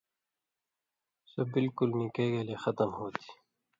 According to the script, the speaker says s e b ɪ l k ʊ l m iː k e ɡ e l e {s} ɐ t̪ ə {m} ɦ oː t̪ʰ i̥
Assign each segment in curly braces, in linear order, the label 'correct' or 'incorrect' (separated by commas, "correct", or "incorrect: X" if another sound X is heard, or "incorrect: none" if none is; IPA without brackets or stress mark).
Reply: incorrect: x, correct